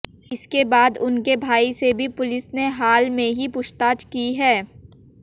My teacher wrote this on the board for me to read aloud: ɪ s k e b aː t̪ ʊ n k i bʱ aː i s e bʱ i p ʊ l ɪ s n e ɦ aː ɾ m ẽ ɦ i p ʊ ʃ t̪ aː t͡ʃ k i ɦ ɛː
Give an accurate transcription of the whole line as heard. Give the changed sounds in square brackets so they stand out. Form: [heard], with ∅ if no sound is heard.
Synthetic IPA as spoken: ɪ s k e b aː [d̪] ʊ n k [e] bʱ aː i s e bʱ i p ʊ l ɪ s n e ɦ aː [l] m ẽ ɦ i p ʊ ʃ t̪ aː t͡ʃ k i ɦ ɛː